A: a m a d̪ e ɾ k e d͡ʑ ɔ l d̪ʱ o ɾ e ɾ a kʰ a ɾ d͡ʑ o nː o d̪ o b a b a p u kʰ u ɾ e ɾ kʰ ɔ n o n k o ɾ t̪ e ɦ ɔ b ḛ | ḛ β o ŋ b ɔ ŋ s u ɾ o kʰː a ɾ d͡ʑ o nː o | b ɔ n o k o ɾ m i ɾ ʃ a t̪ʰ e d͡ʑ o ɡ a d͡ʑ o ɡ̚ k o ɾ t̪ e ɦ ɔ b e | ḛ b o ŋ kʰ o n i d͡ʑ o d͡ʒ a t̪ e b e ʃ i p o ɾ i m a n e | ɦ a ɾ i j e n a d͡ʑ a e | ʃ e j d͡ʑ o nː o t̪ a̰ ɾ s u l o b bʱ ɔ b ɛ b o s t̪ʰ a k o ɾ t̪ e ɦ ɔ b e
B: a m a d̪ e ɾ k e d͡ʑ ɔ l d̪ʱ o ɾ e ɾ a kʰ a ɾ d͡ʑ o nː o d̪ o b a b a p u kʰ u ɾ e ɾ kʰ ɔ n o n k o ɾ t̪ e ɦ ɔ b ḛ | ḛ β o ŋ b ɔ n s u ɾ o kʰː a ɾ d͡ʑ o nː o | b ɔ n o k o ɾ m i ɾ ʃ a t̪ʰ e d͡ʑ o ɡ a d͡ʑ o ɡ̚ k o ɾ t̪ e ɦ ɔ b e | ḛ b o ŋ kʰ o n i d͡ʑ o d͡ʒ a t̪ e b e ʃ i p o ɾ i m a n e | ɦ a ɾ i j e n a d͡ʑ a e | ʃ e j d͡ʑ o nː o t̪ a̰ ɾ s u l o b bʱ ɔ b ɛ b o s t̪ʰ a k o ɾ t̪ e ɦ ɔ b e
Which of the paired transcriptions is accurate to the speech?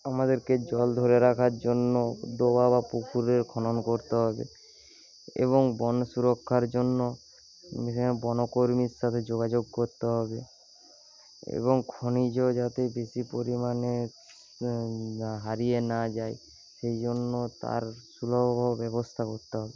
B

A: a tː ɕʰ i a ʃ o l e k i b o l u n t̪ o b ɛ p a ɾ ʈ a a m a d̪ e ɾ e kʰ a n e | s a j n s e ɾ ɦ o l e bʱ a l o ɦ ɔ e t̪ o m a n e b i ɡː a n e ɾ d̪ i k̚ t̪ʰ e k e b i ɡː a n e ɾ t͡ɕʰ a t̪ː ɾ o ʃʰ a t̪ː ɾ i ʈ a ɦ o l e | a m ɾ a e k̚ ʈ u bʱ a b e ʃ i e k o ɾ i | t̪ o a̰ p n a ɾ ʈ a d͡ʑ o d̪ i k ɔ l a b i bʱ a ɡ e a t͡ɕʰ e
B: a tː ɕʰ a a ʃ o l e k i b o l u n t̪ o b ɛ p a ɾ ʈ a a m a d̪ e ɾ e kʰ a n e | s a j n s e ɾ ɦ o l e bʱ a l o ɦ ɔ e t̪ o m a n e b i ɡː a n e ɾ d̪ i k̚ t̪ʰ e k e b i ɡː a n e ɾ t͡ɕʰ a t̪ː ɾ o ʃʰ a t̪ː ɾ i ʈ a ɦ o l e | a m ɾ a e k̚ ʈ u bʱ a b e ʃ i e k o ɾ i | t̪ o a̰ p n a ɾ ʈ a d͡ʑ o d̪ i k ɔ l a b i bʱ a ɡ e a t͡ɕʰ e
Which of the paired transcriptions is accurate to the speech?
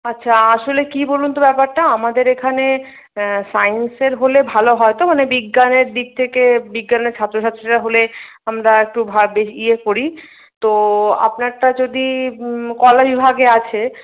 B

